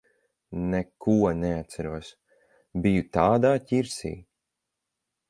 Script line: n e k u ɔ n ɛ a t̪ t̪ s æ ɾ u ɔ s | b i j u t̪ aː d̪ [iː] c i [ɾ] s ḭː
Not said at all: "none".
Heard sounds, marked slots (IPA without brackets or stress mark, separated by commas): aː, ɾ